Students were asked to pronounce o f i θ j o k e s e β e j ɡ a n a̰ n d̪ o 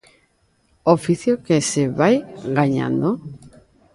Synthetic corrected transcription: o f i θ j o k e s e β a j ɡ a ɲ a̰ n d̪ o